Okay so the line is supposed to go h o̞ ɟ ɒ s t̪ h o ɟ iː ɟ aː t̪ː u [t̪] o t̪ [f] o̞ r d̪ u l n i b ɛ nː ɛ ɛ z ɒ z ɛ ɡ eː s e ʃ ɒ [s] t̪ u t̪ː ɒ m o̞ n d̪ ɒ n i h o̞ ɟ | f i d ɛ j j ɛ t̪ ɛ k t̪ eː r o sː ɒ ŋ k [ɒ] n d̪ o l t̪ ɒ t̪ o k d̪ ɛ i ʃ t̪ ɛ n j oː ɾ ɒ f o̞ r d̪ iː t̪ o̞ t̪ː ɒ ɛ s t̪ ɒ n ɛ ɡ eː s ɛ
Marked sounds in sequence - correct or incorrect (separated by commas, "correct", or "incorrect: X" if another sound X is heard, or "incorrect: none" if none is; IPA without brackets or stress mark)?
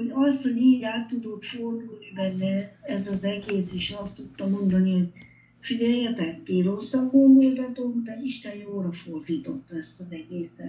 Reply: incorrect: d̪, correct, correct, incorrect: o